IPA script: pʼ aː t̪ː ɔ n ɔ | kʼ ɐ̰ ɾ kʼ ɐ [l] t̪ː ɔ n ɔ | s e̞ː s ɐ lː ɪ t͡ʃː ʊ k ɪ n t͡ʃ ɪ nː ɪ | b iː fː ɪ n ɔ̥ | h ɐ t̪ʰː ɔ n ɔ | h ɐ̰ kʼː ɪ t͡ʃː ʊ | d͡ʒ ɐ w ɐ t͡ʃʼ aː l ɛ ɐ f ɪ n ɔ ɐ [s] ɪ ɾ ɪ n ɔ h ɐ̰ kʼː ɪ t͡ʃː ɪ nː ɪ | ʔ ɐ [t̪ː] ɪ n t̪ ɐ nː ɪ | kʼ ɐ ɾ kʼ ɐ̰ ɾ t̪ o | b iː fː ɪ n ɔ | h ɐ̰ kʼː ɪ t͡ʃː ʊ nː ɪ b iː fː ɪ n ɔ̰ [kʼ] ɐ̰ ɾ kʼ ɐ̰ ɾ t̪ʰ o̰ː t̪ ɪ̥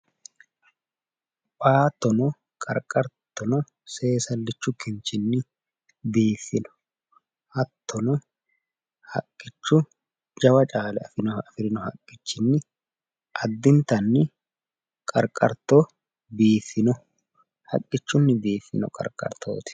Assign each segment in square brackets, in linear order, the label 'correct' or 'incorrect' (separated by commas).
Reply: incorrect, incorrect, incorrect, correct